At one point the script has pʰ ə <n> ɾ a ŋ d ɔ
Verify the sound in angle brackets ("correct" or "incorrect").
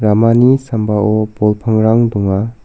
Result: incorrect